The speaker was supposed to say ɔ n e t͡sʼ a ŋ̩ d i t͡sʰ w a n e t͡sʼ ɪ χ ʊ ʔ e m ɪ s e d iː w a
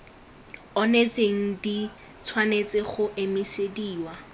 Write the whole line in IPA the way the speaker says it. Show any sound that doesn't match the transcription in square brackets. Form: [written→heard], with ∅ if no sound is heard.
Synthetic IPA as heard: ɔ n e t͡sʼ [a→e] ŋ̩ d i t͡sʰ w a n e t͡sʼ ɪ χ ʊ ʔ e m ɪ s e d iː w a